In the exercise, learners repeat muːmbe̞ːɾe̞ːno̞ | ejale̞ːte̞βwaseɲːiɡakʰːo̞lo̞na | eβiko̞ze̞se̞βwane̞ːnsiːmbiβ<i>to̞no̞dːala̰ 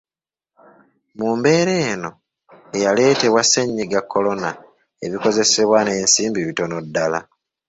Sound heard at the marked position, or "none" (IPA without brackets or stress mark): i